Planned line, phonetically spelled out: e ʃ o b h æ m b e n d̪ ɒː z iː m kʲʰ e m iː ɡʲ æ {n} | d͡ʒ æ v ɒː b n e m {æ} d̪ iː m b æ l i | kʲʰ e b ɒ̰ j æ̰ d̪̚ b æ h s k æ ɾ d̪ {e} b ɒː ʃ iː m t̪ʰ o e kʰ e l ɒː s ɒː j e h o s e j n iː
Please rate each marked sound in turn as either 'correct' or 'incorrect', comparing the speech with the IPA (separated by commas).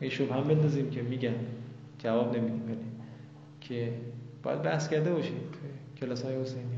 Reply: correct, incorrect, correct